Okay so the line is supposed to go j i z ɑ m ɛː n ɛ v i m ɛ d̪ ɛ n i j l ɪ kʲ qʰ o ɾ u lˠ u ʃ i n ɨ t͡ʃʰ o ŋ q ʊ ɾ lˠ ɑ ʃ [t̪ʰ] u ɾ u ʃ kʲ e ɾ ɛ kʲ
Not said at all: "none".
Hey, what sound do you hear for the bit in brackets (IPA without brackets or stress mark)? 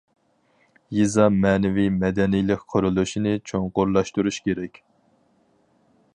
t̪